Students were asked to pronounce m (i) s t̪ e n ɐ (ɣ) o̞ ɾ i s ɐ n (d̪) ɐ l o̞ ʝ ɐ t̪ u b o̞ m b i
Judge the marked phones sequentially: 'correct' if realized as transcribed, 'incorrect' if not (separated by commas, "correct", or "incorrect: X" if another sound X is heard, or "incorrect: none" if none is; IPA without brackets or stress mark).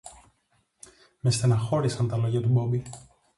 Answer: incorrect: e, incorrect: x, incorrect: t̪